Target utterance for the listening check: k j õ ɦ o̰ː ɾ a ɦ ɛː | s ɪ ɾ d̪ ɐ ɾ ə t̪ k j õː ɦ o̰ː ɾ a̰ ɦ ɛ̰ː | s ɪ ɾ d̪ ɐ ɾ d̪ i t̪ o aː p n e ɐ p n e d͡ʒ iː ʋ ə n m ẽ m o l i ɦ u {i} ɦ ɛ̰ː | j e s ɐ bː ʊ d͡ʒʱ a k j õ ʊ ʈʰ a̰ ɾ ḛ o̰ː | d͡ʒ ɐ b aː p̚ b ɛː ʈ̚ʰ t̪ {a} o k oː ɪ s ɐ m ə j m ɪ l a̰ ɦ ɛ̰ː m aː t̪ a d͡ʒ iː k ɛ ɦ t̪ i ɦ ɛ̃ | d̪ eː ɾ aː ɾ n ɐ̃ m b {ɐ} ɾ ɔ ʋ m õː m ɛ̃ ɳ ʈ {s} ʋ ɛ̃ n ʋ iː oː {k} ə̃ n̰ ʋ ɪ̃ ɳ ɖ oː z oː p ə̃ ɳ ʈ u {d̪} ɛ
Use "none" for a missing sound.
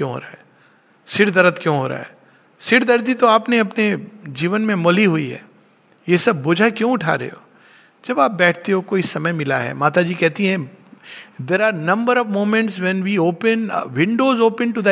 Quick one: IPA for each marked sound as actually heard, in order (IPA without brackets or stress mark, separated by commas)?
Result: i, e, ə, s, p, d̪